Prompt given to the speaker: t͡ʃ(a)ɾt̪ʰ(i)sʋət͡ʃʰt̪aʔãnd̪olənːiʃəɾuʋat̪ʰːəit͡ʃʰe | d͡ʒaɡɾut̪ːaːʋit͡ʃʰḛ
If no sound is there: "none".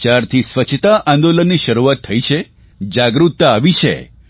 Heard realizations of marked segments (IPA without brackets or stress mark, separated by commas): a, i